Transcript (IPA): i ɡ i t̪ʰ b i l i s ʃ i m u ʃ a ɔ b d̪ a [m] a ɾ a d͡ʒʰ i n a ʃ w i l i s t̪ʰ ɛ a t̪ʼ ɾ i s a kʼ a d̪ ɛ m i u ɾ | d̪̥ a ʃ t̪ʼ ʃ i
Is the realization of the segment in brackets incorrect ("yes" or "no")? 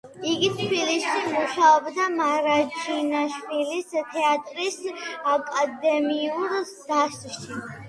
no